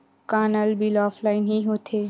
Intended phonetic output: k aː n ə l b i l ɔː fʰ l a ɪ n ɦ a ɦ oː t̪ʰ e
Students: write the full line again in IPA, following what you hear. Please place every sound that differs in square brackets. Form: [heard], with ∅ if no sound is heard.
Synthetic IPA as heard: k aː n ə l b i l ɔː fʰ l a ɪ n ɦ [i] ɦ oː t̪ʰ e